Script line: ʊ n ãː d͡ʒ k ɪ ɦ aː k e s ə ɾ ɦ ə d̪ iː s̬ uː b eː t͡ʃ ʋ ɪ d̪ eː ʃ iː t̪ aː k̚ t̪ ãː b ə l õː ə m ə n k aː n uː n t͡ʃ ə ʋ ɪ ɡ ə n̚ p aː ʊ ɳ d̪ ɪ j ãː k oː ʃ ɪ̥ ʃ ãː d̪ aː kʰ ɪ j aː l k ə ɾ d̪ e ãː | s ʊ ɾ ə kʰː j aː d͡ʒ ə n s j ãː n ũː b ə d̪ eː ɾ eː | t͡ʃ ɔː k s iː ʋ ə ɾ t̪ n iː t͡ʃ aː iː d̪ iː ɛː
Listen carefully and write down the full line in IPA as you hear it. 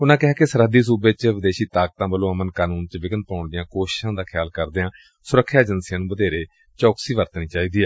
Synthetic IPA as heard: ʊ n ãː k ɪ ɦ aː k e s ə ɾ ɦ ə d̪ iː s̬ uː b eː t͡ʃ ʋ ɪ d̪ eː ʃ iː t̪ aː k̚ t̪ ãː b ə l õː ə m ə n k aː n uː n t͡ʃ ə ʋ ɪ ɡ ə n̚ p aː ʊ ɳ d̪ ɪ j ãː k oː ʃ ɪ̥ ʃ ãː d̪ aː kʰ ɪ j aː l k ə ɾ d̪ e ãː | s ʊ ɾ ə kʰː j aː d͡ʒ ə n s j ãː n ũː b ə d̪ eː ɾ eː | t͡ʃ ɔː k s iː ʋ ə ɾ t̪ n iː t͡ʃ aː iː d̪ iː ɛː